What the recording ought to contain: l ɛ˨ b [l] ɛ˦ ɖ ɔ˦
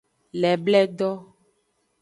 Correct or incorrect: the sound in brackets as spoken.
correct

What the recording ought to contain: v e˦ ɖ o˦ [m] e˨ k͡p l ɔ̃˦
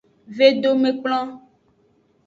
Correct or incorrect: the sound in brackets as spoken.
correct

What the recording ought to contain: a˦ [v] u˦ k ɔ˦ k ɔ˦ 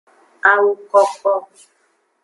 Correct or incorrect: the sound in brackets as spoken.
incorrect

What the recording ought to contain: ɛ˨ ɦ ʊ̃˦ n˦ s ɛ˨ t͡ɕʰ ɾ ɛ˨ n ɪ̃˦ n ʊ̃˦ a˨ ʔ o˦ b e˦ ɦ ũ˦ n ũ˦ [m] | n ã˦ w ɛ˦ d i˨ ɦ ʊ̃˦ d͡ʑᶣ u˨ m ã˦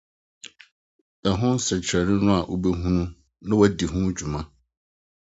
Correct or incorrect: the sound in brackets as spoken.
incorrect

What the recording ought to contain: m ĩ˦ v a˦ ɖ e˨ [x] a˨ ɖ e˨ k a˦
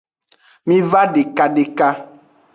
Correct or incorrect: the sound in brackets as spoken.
incorrect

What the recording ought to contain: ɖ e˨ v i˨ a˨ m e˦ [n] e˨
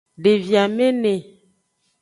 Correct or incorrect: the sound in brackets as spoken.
correct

